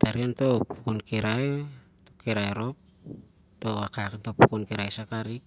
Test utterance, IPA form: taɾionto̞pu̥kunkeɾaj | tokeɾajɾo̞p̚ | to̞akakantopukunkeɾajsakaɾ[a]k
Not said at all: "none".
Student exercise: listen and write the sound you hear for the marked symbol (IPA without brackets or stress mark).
i